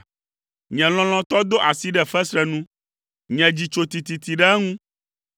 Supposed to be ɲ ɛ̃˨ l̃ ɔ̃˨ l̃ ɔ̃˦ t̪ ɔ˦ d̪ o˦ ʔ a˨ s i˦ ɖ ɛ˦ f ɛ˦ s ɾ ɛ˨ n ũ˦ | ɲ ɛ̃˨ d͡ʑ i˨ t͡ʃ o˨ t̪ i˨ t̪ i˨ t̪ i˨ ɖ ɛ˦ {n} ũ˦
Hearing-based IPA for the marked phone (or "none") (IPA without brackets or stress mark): ŋ